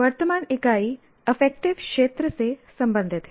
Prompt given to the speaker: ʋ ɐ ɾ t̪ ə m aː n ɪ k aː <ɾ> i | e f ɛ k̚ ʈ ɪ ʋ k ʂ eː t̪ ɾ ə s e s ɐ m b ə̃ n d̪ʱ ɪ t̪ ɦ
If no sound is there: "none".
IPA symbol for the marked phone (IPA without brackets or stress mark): none